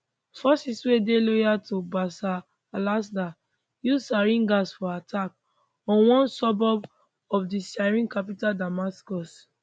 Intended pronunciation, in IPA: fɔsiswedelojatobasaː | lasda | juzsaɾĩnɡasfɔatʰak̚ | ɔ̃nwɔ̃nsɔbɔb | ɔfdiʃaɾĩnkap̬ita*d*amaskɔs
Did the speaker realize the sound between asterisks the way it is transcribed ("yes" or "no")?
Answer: yes